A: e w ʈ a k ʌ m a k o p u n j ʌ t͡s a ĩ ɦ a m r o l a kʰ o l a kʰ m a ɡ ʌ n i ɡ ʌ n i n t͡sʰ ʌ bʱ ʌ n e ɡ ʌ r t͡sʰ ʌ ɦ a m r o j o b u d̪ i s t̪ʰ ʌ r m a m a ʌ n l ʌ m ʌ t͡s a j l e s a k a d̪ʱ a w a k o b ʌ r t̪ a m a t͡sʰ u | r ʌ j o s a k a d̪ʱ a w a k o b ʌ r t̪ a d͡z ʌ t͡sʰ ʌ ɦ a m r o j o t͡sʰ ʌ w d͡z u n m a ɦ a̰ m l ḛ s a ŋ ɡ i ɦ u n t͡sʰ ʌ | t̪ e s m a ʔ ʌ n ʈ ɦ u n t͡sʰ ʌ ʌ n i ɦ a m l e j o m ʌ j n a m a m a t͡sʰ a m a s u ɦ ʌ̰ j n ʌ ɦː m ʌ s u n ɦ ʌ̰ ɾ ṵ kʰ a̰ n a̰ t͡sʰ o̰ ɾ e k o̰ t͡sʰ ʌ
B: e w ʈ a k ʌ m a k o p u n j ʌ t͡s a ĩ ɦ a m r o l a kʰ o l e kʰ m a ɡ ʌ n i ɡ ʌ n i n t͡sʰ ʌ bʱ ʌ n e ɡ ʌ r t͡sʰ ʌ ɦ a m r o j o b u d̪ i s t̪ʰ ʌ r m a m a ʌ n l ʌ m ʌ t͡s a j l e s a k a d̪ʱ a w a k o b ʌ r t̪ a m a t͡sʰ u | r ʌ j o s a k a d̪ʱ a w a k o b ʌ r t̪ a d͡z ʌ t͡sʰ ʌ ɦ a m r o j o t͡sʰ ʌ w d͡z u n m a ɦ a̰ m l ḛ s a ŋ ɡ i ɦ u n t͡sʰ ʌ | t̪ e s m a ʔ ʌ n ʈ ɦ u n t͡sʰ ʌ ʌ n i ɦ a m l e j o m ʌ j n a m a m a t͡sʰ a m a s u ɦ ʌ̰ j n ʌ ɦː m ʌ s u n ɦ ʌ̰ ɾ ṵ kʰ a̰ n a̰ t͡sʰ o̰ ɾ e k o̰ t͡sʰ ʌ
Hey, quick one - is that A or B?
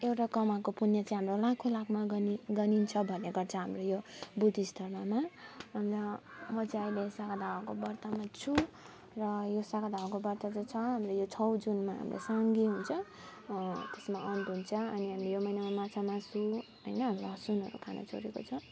A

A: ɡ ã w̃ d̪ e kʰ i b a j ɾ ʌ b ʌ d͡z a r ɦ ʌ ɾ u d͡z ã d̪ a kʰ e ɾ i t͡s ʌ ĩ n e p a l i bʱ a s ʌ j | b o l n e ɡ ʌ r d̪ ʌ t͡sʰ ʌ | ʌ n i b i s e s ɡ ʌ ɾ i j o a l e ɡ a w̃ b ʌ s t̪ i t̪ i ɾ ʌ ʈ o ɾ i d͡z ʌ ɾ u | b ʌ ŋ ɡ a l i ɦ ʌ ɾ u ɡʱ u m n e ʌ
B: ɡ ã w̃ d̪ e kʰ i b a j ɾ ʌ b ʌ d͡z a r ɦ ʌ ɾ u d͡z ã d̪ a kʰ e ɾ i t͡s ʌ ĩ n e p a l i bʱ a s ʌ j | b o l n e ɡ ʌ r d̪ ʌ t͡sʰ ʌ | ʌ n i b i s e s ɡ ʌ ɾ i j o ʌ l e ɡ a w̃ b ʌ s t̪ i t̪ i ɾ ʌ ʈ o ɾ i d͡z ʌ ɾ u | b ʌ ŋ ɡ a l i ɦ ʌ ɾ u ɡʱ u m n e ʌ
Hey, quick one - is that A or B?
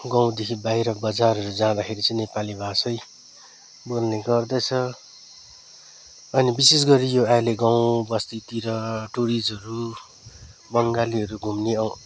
A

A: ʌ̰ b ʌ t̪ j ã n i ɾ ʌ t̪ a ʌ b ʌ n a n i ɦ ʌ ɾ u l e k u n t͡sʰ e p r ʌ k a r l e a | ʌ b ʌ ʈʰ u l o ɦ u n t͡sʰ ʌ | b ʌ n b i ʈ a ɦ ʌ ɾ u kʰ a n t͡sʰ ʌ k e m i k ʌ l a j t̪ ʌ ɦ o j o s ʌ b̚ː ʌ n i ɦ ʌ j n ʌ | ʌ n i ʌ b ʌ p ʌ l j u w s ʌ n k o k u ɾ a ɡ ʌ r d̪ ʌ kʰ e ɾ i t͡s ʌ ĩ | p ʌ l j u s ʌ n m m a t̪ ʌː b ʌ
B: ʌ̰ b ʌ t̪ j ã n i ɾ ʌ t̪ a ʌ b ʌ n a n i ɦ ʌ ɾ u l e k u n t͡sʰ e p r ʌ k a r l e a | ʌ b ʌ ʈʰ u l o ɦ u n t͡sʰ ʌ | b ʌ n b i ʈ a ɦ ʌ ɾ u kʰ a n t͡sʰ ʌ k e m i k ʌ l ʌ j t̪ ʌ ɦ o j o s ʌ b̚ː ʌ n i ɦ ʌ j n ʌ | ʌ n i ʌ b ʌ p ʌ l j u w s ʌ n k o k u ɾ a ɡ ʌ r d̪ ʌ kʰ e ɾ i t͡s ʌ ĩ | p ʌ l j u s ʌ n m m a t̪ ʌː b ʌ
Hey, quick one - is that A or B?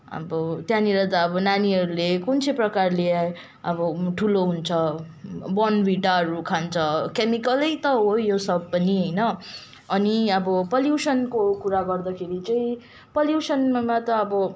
B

